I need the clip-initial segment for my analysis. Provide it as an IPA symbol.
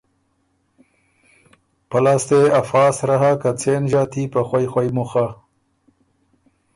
p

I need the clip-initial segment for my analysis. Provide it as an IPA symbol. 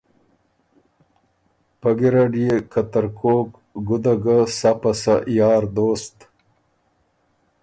p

